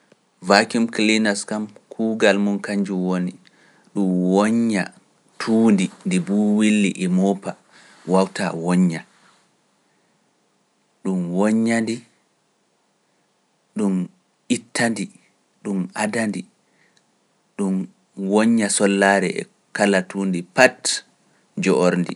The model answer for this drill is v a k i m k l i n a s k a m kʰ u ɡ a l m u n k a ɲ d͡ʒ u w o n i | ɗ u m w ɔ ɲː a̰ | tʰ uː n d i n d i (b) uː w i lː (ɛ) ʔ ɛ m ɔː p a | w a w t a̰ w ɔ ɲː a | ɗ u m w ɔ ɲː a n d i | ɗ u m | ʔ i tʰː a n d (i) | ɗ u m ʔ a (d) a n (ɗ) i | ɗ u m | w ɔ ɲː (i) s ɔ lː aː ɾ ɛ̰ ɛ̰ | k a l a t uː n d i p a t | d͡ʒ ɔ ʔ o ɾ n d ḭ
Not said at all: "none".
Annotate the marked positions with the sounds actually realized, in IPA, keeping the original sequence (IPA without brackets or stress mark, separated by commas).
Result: b, i, i, d, d, a